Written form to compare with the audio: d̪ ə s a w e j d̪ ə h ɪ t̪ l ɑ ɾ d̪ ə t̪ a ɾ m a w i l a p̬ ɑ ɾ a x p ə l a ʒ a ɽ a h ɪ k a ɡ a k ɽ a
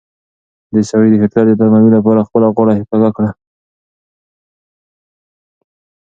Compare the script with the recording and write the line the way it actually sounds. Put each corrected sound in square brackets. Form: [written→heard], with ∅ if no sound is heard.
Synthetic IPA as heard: d̪ ə s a w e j d̪ ə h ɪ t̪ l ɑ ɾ d̪ ə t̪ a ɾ m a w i l a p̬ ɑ ɾ a x p ə l a [ʒ→ɣ] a ɽ a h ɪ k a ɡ a k ɽ a